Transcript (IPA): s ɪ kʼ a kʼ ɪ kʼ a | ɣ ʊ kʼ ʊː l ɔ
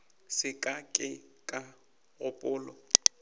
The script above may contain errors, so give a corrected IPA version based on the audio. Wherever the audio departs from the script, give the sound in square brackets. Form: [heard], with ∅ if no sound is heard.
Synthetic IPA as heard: s ɪ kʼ a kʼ ɪ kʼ a | ɣ ʊ [pʼ] ʊː l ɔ